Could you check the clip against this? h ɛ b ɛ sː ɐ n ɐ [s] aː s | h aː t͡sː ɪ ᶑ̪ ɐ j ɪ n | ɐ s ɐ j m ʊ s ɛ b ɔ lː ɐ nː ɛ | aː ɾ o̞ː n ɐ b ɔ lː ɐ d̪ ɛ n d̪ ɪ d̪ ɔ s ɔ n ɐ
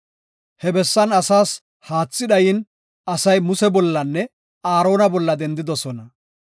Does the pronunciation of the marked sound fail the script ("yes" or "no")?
no